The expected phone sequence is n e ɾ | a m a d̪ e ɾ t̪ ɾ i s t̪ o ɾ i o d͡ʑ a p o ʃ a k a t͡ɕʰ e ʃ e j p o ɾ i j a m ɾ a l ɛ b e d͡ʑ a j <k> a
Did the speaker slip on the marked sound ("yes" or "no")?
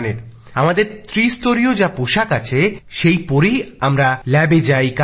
no